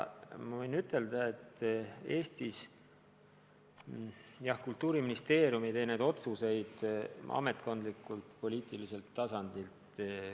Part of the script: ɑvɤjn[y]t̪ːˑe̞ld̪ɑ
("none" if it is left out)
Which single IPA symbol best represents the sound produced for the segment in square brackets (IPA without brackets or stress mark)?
y